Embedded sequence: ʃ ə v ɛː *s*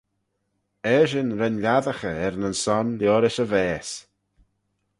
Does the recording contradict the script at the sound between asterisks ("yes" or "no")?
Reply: no